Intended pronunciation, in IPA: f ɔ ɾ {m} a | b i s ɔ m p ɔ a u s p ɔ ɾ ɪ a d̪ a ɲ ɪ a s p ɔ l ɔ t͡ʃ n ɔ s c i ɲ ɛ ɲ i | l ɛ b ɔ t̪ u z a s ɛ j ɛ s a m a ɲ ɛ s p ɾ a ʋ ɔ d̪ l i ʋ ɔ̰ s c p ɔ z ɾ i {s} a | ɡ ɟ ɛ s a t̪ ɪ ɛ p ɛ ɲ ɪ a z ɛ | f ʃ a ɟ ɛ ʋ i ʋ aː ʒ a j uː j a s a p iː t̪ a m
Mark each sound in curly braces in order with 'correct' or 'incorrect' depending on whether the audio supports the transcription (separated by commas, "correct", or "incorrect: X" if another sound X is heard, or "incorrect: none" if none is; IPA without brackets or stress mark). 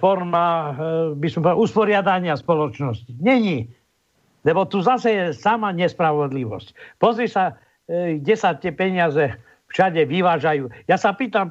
correct, correct